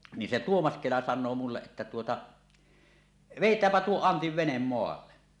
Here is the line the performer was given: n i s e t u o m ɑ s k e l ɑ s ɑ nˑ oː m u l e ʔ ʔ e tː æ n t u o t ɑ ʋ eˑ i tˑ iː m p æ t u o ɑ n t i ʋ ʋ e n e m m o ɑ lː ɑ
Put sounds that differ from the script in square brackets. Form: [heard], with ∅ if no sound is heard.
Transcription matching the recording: n i s e t u o m ɑ s k e l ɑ s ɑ nˑ oː m u [lː] e ʔ ʔ e tː æ [∅] t u o t ɑ ʋ eˑ i tˑ [æː] m p æ t u o ɑ n t i ʋ ʋ e n e m m o ɑ lː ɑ